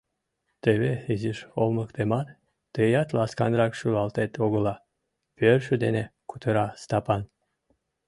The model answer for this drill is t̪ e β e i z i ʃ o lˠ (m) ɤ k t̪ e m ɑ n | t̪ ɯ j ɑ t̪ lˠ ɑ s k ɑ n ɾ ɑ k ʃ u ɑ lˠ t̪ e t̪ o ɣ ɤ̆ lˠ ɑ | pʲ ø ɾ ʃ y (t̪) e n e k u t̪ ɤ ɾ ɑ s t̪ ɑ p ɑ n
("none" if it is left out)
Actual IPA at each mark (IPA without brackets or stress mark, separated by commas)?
m, d̪